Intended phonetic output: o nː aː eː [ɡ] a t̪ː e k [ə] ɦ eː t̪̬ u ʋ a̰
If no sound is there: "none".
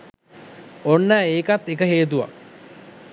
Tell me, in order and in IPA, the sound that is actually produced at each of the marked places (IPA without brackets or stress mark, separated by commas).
k, ə